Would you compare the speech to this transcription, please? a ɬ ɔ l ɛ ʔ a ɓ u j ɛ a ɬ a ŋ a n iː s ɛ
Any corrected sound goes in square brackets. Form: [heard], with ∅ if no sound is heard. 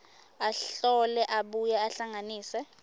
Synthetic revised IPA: a ɬ ɔ l ɛ ʔ a ɓ u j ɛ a ɬ a ŋ a n iː s ɛ